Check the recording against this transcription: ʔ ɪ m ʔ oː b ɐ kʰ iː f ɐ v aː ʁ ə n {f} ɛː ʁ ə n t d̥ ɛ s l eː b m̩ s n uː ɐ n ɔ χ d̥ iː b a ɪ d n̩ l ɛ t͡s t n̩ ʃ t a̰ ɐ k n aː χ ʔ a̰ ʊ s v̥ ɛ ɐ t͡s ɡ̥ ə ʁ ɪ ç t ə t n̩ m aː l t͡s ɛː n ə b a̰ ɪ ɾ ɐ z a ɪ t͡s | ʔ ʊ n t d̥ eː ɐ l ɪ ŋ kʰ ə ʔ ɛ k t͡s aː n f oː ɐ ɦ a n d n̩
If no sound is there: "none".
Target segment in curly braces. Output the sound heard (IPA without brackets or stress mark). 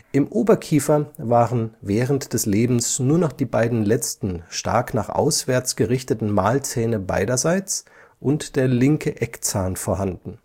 v